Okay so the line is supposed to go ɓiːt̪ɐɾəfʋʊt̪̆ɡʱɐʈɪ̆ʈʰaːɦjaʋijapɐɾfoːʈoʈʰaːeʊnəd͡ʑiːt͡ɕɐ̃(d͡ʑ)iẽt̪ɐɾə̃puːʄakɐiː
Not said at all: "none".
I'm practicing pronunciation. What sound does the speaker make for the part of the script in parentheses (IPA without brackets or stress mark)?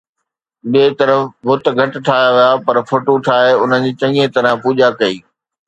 none